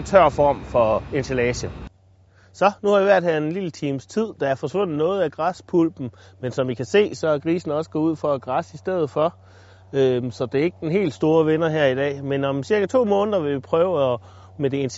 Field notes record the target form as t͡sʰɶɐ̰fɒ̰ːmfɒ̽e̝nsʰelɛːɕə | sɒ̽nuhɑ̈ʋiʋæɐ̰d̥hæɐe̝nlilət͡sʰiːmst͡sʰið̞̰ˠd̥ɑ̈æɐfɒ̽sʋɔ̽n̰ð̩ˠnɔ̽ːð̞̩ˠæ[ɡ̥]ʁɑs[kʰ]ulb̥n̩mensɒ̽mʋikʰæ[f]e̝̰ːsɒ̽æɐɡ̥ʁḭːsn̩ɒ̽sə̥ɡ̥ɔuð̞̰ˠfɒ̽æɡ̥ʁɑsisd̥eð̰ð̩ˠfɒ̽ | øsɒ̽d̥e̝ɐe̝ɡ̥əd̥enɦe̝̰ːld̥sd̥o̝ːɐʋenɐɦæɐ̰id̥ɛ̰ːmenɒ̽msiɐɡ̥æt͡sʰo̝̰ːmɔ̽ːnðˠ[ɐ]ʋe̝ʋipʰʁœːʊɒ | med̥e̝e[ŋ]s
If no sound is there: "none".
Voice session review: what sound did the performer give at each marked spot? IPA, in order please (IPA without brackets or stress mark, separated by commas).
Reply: ɡ̥, pʰ, s, ɐ, n